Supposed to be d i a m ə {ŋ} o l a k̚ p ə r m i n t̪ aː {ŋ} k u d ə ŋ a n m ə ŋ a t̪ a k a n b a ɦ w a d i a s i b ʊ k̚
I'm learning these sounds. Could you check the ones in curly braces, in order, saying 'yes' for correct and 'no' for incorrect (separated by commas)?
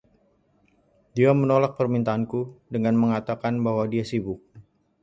no, no